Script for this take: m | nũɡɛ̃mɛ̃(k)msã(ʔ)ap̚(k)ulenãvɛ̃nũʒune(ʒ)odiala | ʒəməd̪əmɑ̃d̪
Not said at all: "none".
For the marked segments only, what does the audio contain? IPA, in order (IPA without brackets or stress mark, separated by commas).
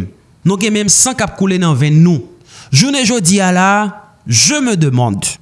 none, k, k, ʒ